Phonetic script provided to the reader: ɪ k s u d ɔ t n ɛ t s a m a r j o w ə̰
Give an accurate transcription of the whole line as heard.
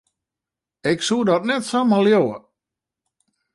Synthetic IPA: ɪ k s u d ɔ t n ɛ t s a m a l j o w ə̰